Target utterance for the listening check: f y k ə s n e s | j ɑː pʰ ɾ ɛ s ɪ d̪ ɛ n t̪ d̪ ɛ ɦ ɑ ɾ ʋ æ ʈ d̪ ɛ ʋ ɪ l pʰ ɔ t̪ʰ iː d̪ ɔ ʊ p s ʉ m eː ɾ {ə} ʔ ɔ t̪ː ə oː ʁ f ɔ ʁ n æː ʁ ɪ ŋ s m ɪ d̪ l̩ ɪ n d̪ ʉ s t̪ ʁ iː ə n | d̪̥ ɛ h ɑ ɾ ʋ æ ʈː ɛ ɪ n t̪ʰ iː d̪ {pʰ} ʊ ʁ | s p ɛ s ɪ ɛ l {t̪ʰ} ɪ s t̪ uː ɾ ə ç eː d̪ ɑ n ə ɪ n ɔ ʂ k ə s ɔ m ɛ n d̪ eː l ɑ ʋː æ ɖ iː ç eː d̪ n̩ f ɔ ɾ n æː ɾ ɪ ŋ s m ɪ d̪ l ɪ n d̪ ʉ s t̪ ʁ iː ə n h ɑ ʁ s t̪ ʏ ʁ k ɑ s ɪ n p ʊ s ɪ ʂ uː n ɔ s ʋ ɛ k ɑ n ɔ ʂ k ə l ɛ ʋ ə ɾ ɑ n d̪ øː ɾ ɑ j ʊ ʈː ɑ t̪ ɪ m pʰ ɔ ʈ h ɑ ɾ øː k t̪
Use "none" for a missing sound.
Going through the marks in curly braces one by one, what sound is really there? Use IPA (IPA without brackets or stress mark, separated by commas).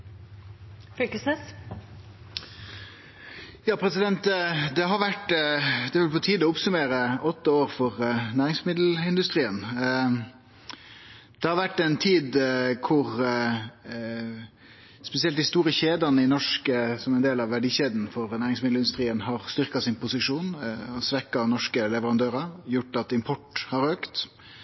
ə, kʰ, t̪